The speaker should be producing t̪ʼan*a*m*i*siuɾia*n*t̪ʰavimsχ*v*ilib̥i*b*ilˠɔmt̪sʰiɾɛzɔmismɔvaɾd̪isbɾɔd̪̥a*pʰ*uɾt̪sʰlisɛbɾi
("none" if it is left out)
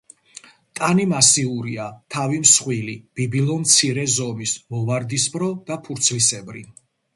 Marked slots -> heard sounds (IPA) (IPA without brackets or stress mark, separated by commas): i, a, none, w, b, pʰ